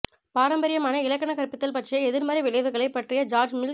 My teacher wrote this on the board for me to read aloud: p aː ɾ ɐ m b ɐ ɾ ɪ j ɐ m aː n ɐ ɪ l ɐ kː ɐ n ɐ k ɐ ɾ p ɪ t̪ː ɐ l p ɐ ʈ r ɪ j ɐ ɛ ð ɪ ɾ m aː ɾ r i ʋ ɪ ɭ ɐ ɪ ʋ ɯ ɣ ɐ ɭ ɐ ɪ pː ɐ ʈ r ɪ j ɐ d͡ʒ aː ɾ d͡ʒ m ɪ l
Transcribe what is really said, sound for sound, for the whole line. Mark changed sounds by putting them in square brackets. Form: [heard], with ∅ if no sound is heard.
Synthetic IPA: p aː ɾ ɐ m b ɐ ɾ ɪ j ɐ m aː n ɐ ɪ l ɐ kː ɐ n ɐ k ɐ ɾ p ɪ t̪ː ɐ l p ɐ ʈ r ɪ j ɐ ɛ ð ɪ ɾ m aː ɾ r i ʋ ɪ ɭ ɐ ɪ ʋ ɯ ɣ ɐ ɭ ɐ ɪ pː ɐ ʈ r ɪ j ɐ d͡ʒ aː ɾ d͡ʒ m ɪ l